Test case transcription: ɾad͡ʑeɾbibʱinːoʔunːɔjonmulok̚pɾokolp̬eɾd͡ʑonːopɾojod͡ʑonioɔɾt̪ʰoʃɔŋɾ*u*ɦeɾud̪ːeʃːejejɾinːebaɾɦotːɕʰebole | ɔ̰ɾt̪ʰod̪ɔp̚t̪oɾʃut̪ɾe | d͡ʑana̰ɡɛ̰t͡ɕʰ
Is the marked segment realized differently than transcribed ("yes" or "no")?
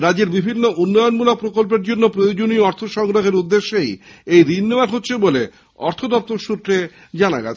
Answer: yes